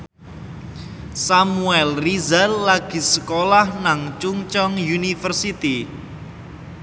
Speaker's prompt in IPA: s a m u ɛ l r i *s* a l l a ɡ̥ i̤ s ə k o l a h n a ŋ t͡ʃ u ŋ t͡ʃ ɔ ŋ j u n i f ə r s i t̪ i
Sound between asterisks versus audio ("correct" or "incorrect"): incorrect